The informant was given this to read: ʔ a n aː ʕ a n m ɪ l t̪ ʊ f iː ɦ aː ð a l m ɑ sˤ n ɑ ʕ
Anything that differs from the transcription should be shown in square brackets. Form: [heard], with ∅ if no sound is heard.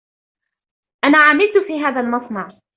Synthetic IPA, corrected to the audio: ʔ a n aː ʕ a [∅] m ɪ l t̪ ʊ f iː ɦ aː ð a l m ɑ sˤ n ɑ ʕ